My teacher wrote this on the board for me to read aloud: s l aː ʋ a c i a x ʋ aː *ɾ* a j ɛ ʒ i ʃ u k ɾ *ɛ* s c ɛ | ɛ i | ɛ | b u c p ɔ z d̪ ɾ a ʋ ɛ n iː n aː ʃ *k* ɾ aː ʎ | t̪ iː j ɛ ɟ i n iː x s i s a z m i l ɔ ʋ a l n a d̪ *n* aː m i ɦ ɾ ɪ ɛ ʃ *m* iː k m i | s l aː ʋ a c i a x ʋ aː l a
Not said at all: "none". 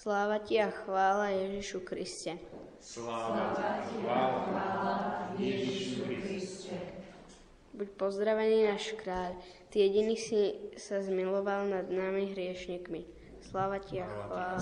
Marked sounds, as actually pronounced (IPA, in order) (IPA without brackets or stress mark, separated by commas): l, i, k, n, ɲ